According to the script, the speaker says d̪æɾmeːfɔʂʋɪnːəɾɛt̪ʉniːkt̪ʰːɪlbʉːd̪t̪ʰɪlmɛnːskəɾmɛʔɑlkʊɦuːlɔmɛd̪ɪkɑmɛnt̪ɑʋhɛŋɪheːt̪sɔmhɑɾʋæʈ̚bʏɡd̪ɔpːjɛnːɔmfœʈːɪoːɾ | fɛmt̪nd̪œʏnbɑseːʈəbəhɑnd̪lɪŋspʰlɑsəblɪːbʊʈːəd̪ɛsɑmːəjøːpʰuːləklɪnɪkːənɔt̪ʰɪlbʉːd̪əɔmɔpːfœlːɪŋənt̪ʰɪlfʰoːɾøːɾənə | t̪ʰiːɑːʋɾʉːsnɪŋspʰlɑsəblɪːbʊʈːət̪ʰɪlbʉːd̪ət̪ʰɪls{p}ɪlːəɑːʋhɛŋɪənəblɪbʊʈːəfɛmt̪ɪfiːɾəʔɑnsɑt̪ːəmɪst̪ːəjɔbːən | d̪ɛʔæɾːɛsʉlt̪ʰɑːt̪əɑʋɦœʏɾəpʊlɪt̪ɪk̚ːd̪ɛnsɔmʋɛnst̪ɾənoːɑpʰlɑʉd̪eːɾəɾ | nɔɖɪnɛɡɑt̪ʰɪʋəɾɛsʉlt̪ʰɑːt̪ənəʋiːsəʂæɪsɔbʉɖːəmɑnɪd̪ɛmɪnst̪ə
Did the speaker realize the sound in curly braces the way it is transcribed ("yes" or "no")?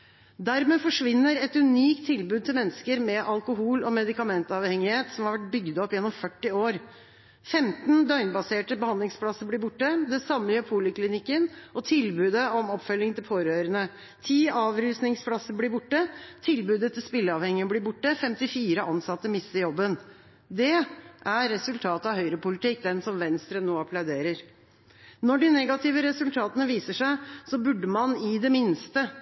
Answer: yes